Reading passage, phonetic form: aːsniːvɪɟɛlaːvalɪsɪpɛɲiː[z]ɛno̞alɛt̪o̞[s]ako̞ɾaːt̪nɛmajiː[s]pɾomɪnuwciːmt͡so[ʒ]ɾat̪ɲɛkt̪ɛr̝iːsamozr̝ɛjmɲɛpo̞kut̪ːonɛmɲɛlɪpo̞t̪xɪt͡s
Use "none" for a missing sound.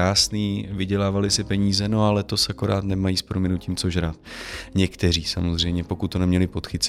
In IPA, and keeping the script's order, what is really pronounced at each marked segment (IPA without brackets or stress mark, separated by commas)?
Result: z, s, s, ʒ